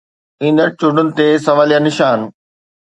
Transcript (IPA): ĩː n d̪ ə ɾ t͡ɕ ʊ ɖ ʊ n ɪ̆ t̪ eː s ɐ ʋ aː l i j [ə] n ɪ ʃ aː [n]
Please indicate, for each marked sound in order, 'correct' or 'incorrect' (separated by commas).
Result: incorrect, correct